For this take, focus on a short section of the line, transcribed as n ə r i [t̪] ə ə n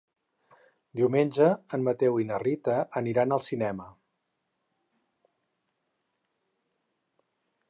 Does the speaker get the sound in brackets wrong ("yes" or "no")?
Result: no